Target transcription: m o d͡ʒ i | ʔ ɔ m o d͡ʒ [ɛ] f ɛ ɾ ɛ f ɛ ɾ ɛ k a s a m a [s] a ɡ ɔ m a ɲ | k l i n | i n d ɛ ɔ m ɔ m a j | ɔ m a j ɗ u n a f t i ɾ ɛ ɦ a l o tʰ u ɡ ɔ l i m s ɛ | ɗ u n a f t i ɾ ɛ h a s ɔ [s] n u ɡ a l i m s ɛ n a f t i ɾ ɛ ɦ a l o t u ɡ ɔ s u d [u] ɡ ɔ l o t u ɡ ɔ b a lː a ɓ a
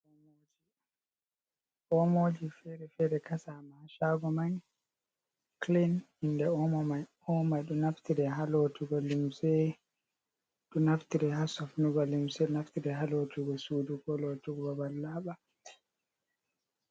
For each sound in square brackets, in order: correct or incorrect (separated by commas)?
incorrect, incorrect, incorrect, correct